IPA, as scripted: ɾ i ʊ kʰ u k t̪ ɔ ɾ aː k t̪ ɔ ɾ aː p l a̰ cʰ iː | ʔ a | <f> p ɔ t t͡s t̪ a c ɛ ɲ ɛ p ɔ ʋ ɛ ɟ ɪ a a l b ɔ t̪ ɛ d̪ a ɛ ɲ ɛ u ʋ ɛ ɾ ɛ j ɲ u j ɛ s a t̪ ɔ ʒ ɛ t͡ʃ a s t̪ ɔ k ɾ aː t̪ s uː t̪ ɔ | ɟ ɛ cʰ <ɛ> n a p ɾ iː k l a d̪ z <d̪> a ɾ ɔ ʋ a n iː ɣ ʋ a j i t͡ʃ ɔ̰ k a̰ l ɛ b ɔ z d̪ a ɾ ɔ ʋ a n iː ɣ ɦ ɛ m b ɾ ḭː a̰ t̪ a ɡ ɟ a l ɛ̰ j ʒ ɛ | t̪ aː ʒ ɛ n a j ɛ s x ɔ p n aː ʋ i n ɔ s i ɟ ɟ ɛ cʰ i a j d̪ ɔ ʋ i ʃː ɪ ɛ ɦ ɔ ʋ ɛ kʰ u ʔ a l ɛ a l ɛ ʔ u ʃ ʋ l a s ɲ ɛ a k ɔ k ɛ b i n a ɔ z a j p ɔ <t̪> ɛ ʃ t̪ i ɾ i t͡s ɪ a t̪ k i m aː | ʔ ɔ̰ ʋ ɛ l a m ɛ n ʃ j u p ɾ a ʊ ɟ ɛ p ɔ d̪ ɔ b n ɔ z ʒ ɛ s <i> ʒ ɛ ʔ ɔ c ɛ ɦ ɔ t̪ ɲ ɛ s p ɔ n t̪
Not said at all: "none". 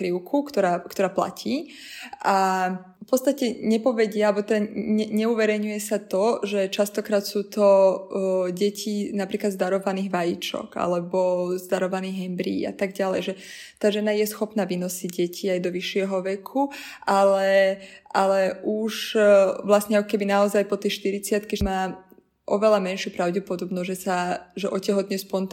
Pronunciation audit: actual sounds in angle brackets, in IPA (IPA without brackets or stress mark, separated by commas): f, i, d̪, t̪, a